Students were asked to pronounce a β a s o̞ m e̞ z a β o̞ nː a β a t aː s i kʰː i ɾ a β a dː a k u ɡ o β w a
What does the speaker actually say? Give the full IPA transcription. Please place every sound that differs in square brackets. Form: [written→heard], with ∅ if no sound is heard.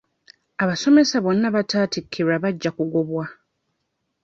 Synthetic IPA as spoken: a β a s o̞ m e̞ [z→s] a β o̞ nː a β a t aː [s→t] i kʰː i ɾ a β a [dː→ɟː] a k u ɡ o β w a

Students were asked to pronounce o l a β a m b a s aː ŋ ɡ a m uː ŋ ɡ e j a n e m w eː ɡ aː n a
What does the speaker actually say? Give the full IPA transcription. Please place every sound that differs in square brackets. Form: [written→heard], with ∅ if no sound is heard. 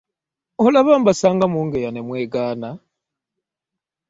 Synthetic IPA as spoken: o l a β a m b a s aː ŋ ɡ a m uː ŋ ɡ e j a n e m w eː ɡ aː n a

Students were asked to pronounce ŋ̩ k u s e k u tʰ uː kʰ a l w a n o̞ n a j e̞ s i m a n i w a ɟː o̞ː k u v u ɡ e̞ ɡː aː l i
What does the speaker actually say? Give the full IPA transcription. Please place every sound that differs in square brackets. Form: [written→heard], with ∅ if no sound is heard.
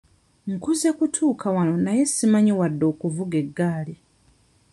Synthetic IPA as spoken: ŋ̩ k u [s→z] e k u tʰ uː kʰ a [l→∅] w a n o̞ n a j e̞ s i m a [n→ɲ] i w a [ɟː→dː] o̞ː k u v u ɡ e̞ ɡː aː l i

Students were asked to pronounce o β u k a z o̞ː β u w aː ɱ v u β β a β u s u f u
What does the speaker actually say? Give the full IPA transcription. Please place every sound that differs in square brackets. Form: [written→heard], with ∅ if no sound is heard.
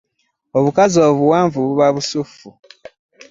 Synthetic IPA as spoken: o β u k a z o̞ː β u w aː ɱ v u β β a β u s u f u

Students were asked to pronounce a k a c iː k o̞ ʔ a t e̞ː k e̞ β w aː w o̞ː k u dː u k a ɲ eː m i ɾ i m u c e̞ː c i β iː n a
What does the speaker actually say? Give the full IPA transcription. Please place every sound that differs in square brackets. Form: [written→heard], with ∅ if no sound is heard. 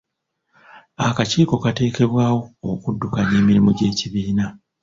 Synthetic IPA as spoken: a k a c iː k o̞ [ʔ→k] a t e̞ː k e̞ β w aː w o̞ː k u dː u k a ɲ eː m i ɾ i m u [c→ɟ] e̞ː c i β iː n a

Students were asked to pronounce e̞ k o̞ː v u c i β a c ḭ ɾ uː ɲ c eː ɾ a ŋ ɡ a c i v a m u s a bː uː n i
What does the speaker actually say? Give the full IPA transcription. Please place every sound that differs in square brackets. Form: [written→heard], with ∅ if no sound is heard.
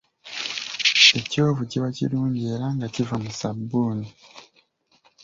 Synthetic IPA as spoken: e̞ [k→c] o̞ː v u c i β a c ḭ ɾ uː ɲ [c→ɟ] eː ɾ a ŋ ɡ a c i v a m u s a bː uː n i

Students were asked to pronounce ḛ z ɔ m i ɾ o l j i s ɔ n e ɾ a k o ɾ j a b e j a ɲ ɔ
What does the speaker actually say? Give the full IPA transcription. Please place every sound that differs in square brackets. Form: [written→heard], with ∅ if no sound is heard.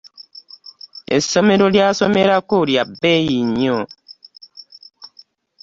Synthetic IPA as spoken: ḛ [z→s] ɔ m [i→e] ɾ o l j [i→a] s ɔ [n→m] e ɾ a k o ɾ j a b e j [a→i] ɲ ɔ

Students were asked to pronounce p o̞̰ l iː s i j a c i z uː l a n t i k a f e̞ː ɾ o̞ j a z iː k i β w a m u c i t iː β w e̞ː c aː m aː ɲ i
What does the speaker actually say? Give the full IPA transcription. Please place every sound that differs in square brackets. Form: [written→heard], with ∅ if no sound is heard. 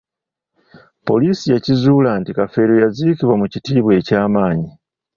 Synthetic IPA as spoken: p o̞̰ l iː s i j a c i z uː l a n t i k a f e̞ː ɾ o̞ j a z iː k i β w a m u c i t iː β w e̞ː c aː m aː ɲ i

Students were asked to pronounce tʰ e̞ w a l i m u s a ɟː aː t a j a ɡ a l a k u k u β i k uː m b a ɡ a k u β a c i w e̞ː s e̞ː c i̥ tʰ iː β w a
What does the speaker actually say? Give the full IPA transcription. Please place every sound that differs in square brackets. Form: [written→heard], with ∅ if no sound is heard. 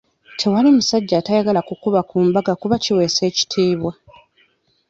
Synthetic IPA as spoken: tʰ e̞ w a l i m u s a ɟː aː t a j a ɡ a l a k u k u β [i→a] k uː m b a ɡ a k u β a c i w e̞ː s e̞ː c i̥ tʰ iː β w a

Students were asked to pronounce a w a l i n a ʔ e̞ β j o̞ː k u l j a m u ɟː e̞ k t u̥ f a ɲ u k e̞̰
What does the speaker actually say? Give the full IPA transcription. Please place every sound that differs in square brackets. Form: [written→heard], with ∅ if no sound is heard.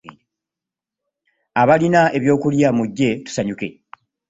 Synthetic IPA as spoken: a [w→β] a l i n a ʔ e̞ β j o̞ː k u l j a m u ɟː e̞ [k→∅] t u̥ [f→s] a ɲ u k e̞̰

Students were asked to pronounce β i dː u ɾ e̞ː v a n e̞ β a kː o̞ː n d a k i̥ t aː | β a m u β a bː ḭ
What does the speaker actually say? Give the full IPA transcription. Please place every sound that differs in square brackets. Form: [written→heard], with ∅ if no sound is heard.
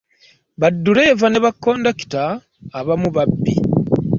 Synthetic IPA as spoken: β [i→a] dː u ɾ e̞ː v a n e̞ β a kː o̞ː n d a k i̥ t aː | β a m u β a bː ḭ

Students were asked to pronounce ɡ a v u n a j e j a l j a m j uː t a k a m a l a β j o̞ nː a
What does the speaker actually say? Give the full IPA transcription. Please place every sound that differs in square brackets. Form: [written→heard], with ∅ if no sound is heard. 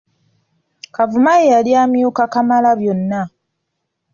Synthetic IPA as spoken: [ɡ→k] a v u [n→m] a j e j a l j a m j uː [t→k] a k a m a l a β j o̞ nː a

